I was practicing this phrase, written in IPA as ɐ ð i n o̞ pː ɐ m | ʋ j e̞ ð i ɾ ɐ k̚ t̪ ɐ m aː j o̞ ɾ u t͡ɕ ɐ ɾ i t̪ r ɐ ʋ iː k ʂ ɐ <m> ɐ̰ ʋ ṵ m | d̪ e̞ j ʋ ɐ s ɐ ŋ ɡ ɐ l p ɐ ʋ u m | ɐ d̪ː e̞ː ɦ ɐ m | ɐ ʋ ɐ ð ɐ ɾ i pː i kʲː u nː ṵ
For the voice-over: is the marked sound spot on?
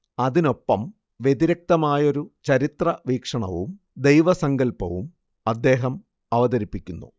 no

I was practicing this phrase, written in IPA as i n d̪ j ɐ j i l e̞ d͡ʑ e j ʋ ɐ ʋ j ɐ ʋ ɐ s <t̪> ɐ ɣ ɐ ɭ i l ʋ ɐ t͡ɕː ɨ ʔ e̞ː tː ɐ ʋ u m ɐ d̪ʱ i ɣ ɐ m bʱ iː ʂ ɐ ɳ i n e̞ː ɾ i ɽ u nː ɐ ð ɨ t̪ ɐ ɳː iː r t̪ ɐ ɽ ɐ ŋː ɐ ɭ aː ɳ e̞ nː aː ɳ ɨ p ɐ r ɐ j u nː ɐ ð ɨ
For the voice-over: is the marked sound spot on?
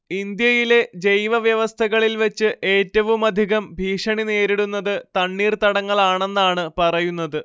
no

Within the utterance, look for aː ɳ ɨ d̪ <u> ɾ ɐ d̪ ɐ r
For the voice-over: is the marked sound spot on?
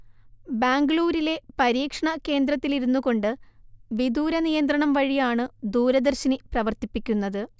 no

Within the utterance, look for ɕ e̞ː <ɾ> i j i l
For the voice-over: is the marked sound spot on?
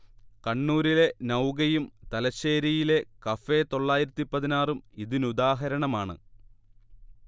yes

